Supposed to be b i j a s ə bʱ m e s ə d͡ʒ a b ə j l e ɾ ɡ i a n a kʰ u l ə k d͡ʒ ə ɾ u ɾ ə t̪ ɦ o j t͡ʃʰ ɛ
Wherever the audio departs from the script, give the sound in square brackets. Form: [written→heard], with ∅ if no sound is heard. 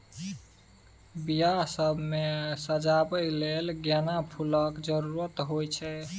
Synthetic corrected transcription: b i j a s ə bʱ m e s ə d͡ʒ a b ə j l e [ɾ→l] ɡ [i→j] a n a [kʰ→pʰ] u l ə k d͡ʒ ə ɾ u ɾ ə t̪ ɦ o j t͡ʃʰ ɛ